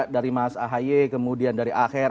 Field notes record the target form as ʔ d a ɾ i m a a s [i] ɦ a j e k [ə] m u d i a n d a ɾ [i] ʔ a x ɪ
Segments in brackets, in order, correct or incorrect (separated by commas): incorrect, correct, correct